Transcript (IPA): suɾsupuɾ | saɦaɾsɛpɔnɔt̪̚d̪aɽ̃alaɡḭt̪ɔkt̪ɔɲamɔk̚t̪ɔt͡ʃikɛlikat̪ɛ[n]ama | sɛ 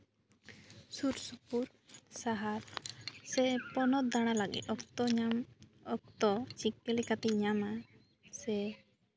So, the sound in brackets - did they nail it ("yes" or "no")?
no